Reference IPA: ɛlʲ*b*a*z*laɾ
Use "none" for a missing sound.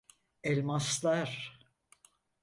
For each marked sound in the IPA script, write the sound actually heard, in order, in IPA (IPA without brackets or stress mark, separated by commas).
m, s